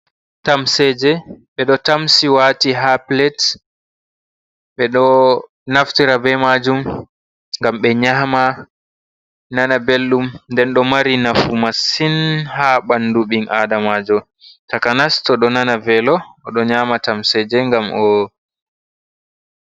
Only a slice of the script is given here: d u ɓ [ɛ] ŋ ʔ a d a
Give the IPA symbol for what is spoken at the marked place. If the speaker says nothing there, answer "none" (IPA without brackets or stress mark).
i